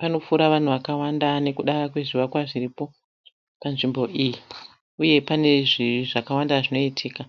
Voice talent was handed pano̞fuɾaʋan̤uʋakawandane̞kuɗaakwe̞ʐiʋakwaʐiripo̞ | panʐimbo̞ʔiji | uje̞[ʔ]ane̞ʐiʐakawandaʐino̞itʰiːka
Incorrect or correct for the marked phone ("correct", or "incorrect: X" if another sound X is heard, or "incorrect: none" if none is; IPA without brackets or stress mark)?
incorrect: p